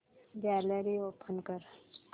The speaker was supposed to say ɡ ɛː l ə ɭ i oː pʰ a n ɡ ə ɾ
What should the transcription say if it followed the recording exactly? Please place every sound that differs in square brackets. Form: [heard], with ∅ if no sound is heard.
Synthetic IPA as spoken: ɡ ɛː l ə [ɾ] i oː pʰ [ə] n [k] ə ɾ